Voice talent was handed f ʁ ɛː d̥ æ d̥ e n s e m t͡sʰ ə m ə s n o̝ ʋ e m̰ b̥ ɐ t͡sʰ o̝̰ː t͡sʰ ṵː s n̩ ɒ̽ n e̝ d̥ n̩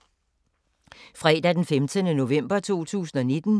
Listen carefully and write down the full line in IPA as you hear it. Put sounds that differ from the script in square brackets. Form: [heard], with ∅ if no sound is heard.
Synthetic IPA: f ʁ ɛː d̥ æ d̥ e n [f] e m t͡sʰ ə [n] ə [∅] n o̝ ʋ e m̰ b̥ ɐ t͡sʰ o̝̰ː t͡sʰ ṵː s n̩ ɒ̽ n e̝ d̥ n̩